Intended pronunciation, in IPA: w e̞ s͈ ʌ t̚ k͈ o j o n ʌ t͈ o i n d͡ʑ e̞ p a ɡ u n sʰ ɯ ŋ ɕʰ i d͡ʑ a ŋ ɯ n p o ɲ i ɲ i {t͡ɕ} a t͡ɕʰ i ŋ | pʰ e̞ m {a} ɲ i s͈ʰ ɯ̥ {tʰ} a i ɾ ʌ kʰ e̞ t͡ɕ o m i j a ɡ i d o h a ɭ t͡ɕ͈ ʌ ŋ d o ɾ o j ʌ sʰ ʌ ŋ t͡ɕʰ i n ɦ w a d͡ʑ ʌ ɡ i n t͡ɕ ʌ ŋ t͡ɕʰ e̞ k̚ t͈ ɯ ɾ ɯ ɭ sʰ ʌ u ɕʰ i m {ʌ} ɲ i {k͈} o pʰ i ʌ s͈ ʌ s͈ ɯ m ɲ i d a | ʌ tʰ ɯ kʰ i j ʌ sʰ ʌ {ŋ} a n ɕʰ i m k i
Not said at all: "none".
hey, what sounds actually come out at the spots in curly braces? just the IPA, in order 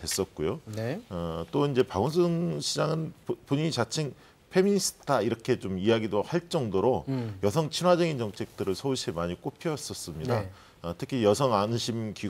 t͡ɕ, i, tʰ, a, k͈, ŋ

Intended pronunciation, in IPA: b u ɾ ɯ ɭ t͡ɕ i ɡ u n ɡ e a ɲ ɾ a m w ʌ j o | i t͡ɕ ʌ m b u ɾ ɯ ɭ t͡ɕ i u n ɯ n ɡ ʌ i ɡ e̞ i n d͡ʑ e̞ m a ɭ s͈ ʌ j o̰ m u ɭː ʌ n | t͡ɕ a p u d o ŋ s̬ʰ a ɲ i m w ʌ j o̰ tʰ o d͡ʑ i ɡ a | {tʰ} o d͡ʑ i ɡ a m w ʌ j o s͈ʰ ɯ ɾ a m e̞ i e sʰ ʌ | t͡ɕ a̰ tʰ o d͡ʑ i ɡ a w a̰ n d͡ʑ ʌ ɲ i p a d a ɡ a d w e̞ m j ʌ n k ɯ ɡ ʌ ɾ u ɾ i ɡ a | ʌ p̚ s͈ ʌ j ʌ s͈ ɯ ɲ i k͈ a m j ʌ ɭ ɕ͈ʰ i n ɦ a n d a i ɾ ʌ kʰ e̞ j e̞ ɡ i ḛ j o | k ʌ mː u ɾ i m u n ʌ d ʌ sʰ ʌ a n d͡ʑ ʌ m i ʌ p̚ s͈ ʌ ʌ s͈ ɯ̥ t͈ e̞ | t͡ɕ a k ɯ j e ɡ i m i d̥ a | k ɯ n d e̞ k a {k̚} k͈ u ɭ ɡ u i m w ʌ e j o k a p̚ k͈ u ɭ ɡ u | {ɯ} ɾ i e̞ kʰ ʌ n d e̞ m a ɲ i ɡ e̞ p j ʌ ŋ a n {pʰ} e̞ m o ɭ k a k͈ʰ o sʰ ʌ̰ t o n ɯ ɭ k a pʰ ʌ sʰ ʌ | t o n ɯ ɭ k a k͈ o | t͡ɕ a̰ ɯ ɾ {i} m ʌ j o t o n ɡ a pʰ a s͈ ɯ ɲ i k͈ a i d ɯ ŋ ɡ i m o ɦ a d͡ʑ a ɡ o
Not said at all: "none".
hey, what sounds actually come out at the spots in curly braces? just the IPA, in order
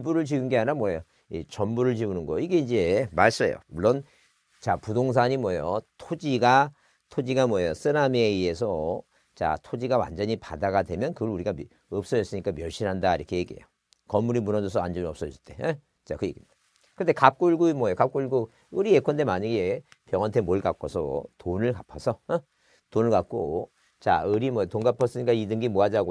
tʰ, p̚, ɯ, tʰ, i

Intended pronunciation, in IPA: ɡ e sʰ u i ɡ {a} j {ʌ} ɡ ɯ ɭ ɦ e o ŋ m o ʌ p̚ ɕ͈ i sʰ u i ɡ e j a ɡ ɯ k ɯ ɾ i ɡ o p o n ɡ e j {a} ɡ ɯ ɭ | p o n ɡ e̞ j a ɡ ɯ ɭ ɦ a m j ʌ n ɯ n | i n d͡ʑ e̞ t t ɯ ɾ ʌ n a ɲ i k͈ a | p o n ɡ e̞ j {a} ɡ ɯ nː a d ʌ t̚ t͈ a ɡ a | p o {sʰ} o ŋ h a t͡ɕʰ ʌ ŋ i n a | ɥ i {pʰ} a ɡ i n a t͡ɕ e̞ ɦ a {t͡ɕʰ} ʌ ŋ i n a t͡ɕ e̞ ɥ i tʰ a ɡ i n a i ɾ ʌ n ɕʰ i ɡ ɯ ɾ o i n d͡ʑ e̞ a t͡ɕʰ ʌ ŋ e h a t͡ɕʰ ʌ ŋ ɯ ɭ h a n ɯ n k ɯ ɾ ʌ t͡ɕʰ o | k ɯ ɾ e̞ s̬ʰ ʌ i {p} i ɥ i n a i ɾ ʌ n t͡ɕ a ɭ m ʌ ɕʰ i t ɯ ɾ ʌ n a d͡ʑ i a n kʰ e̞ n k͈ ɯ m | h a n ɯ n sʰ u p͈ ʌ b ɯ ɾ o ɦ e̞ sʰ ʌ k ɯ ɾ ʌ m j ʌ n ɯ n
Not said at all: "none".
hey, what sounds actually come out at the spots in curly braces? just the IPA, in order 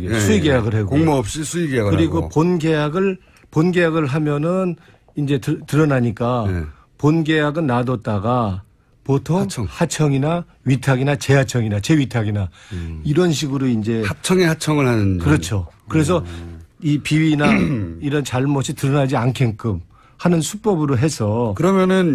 e, a, a, a, tʰ, tʰ, t͡ɕʰ, p

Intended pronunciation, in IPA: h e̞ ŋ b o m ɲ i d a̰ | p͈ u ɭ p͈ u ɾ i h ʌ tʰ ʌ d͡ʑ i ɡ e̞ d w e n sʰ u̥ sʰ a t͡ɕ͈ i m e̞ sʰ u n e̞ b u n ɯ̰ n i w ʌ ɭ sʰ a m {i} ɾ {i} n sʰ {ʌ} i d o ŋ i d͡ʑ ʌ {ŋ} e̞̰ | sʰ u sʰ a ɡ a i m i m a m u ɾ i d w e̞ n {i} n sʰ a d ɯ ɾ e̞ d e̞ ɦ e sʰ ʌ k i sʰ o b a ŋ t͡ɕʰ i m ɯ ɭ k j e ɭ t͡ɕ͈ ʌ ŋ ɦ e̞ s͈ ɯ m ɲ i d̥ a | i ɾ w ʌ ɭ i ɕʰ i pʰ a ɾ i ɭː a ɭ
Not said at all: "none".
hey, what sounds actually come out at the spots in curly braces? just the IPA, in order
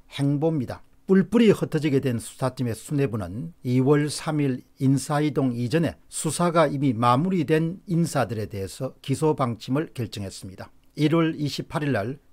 i, i, a, n, i

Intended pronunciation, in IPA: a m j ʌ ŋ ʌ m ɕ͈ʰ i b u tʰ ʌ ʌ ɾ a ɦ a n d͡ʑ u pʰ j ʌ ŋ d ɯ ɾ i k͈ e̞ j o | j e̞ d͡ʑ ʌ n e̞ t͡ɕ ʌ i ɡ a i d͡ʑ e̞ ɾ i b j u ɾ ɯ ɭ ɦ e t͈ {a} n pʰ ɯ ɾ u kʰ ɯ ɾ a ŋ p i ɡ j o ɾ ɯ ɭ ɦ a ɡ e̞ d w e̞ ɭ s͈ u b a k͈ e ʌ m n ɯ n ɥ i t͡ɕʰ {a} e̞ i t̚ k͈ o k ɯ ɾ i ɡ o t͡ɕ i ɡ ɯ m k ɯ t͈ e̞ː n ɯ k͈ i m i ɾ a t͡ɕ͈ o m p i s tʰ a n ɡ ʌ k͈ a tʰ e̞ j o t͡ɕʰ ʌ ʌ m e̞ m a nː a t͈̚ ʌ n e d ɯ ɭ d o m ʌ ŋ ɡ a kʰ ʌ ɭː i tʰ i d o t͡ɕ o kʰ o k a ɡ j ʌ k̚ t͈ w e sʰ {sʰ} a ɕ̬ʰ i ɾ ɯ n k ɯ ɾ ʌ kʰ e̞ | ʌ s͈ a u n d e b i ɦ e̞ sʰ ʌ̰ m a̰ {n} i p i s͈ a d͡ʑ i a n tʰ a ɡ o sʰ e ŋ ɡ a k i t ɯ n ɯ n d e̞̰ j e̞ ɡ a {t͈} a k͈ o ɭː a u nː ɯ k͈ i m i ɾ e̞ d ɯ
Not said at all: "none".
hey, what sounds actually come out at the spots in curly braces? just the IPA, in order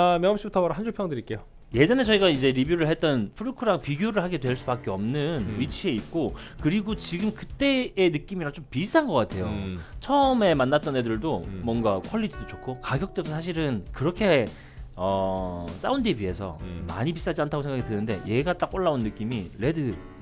ʌ, i, sʰ, ɲ, t͈

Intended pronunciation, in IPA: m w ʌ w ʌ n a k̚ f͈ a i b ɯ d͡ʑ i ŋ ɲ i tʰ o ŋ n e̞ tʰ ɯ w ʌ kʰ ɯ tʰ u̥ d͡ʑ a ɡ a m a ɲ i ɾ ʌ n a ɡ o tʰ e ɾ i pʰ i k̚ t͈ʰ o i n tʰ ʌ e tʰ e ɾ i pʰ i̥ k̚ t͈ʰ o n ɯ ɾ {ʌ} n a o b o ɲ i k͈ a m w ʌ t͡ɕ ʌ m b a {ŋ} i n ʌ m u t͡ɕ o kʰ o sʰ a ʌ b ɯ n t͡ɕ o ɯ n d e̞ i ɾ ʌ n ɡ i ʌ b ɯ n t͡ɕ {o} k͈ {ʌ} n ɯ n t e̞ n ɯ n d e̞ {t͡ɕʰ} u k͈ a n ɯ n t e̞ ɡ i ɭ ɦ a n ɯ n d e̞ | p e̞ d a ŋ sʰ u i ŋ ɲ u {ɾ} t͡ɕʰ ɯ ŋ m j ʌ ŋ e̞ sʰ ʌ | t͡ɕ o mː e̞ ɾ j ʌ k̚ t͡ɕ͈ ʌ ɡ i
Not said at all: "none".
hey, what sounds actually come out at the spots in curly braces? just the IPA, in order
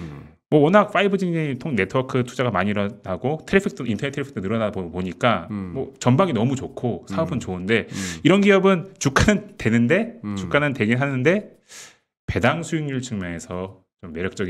ʌ, ŋ, u, a, t͡ɕ, ɭ

